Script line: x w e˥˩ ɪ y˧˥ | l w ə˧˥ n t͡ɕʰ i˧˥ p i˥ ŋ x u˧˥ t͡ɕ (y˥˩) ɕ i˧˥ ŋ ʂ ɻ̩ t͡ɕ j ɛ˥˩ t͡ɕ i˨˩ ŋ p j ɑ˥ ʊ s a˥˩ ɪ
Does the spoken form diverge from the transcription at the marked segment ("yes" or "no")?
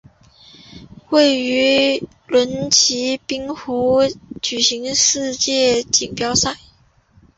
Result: yes